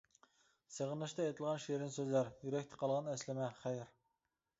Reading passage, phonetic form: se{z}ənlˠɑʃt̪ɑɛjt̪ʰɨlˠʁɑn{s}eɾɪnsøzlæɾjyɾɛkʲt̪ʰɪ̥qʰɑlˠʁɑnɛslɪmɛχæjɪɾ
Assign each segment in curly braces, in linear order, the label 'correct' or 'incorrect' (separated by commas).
incorrect, incorrect